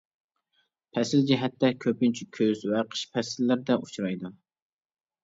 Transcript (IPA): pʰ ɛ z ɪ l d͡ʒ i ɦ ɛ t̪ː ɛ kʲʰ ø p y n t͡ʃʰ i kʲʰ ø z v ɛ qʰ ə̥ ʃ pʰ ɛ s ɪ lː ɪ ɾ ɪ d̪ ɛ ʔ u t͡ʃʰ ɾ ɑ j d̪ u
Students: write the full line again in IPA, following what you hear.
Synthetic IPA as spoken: pʰ ɛ s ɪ l d͡ʒ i ɦ ɛ t̪ː ɛ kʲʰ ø p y n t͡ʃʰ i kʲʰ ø z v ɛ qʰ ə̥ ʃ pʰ ɛ s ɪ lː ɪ ɾ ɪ d̪ ɛ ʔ u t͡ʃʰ ɾ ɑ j d̪ u